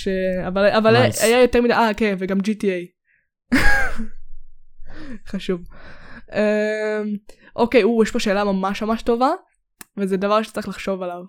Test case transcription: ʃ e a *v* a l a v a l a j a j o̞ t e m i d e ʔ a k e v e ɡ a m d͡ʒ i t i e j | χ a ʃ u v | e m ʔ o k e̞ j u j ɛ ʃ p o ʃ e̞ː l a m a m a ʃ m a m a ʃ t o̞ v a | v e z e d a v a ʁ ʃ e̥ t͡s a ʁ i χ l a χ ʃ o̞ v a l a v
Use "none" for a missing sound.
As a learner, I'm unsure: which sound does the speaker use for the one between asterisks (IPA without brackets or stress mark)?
v